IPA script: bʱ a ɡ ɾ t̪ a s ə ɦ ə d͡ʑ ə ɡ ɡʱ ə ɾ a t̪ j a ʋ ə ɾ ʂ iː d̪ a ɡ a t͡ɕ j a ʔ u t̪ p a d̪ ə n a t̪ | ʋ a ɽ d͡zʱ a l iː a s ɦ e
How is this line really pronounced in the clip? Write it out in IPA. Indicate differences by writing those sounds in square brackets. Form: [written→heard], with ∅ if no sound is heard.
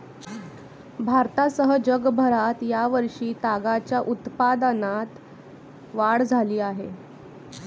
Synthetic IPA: bʱ a [ɡ→∅] ɾ t̪ a s ə ɦ ə d͡ʑ ə ɡ [ɡʱ→bʱ] ə ɾ a t̪ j a ʋ ə ɾ ʂ iː [d̪→t̪] a ɡ a t͡ɕ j a ʔ u t̪ p a d̪ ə n a t̪ | ʋ a ɽ d͡zʱ a l iː a [s→∅] ɦ e